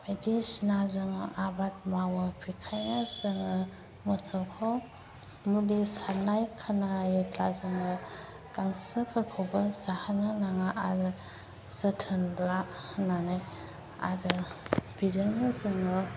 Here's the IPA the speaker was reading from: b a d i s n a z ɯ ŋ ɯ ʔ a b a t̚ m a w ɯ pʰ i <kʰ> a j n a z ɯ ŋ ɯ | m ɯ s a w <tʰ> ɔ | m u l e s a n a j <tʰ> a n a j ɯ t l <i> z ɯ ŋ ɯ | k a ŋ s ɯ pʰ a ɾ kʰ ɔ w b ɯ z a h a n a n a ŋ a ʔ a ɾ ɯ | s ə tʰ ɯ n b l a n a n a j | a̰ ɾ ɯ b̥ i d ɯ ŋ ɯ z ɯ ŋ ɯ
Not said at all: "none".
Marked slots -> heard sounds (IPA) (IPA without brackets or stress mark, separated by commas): kʰ, kʰ, kʰ, a